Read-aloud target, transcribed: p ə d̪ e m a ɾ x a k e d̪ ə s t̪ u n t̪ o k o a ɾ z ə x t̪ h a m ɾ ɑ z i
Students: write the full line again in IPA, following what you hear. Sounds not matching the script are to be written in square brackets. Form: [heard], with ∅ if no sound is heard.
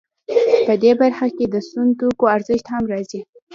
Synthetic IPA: p ə d̪ e [b] a ɾ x a k e d̪ ə s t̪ u n t̪ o k o a ɾ z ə [ʃ] t̪ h a m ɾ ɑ z i